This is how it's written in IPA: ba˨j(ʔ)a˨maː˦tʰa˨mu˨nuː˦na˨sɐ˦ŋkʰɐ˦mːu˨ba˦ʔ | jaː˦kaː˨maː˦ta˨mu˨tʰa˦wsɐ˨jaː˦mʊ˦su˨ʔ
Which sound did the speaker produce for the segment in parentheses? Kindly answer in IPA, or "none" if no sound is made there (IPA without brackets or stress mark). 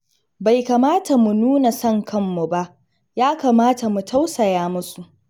k